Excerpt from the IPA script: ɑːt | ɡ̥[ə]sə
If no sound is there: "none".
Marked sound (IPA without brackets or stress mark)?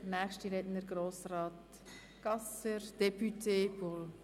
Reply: ɑ